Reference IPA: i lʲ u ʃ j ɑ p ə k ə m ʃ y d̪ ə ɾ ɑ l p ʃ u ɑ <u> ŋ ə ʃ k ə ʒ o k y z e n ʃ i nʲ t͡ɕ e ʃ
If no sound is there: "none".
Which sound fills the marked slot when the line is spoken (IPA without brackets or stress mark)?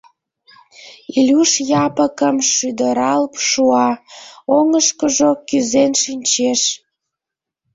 o